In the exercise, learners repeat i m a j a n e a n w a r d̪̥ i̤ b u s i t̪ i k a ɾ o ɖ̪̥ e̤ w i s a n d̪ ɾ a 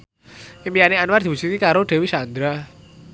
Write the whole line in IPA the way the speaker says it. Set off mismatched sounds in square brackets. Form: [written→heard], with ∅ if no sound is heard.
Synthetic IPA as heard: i m [a→i] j a n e a n w a r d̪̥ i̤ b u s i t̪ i k a ɾ o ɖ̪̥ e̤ w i s a n d̪ ɾ a

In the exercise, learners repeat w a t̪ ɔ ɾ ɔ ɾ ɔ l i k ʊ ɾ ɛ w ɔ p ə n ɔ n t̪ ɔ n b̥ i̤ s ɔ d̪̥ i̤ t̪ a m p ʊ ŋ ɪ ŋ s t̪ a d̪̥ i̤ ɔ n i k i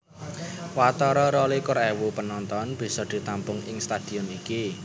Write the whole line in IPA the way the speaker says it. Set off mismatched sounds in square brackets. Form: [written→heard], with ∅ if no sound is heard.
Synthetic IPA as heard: w a t̪ ɔ ɾ ɔ ɾ ɔ l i k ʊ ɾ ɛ w [ɔ→u] p ə n ɔ n t̪ ɔ n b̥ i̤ s ɔ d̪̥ i̤ t̪ a m p ʊ ŋ ɪ ŋ s t̪ a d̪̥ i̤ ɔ n i k i

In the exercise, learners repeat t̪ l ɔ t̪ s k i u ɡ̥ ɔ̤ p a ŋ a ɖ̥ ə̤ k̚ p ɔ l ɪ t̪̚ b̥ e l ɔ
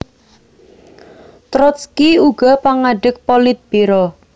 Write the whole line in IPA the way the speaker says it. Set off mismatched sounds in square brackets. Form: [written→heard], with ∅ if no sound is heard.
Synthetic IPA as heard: t̪ [l→ɾ] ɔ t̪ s k i u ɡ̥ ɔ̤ p a ŋ a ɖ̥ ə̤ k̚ p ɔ l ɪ t̪̚ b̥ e [l→ɾ] ɔ

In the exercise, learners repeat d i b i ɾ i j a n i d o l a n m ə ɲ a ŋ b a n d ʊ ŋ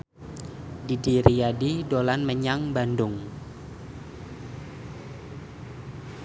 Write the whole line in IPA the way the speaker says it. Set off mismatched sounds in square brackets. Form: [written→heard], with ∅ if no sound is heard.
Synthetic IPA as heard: d i [b→d] i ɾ i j a [n→d] i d o l a n m ə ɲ a ŋ b a n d ʊ ŋ

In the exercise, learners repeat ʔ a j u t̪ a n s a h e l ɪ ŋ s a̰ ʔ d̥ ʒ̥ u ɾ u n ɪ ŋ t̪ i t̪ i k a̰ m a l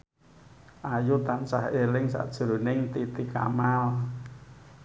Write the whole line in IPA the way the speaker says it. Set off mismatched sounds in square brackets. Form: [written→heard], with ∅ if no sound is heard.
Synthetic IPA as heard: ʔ a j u t̪ a n s a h e l ɪ ŋ s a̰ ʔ d̥ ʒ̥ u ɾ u n ɪ ŋ t̪ i t̪ i k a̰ m a l

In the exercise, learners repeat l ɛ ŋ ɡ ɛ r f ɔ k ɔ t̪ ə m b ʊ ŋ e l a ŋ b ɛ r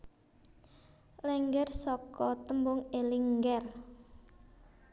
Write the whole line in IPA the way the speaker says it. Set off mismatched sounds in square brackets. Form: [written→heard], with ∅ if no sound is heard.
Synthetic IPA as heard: l ɛ ŋ ɡ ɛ r [f→s] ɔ k ɔ t̪ ə m b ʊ ŋ e l [a→i] ŋ [b→ɡ] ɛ r

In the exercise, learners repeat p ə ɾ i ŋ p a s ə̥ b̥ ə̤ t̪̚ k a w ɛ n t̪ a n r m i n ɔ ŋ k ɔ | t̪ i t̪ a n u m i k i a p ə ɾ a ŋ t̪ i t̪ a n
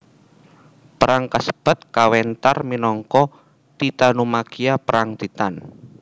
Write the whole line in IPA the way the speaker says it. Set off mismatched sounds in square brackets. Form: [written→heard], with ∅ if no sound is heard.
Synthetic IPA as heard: p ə ɾ [i→a] ŋ [p→k] a s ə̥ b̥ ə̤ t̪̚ k a w ɛ n t̪ a [n→∅] r m i n ɔ ŋ k ɔ | t̪ i t̪ a n u m [i→a] k i a p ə ɾ a ŋ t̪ i t̪ a n

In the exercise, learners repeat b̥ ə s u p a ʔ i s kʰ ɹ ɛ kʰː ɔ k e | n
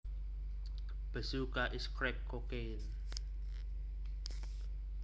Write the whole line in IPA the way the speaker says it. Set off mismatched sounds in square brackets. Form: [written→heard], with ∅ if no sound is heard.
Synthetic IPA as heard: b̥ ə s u [p→k] a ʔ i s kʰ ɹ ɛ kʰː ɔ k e | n

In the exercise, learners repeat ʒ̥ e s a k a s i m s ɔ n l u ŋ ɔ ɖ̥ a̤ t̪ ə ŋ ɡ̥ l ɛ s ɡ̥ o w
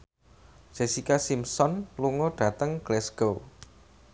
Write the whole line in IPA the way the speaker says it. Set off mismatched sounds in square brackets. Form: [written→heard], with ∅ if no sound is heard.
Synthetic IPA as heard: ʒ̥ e s [a→i] k a s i m s ɔ n l u ŋ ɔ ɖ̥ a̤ t̪ ə ŋ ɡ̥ l ɛ s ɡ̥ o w

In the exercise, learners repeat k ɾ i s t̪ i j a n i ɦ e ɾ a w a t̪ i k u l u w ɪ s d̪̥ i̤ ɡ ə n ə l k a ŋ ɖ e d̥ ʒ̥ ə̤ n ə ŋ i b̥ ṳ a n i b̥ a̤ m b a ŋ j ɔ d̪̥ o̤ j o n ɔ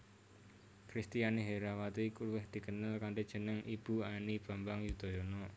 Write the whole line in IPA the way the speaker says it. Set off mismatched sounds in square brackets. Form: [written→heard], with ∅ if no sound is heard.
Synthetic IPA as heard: k ɾ i s t̪ i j a n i ɦ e ɾ a w a t̪ i k u l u w ɪ [s→h] d̪̥ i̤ [ɡ→k] ə n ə l k a [ŋ→ɳ] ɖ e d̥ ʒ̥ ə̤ n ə ŋ i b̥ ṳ a n i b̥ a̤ m b a ŋ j [ɔ→u] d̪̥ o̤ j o n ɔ

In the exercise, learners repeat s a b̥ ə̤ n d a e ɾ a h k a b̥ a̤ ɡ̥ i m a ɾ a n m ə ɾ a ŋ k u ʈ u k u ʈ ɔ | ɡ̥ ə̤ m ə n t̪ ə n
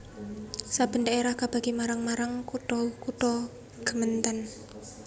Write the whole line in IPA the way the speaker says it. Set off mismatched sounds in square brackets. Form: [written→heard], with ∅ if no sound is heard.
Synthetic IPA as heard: s a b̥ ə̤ n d a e ɾ a h k a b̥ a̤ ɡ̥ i m a ɾ a [n→ŋ] m [ə→a] ɾ a ŋ k u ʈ [u→ɔ] k u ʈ ɔ | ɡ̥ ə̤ m ə n t̪ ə n

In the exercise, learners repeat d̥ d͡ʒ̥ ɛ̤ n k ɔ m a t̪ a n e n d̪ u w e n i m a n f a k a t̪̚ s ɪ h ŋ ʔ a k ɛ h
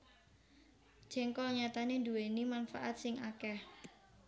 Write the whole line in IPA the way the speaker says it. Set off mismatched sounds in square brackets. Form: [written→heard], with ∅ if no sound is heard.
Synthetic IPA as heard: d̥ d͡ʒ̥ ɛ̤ [n→ŋ] k ɔ [m→ɲ] a t̪ a n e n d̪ u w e n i m a n f a [k→ʔ] a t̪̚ s ɪ [h→∅] ŋ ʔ a k ɛ h

